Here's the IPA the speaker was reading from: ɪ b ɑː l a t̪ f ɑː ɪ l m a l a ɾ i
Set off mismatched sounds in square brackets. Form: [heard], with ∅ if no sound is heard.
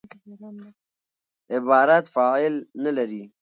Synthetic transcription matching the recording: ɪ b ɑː [ɾ] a t̪ f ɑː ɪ l [n] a l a ɾ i